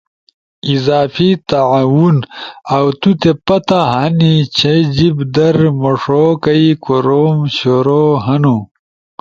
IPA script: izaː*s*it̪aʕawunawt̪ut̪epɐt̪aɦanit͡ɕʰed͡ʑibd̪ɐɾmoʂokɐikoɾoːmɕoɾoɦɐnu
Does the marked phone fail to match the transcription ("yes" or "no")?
yes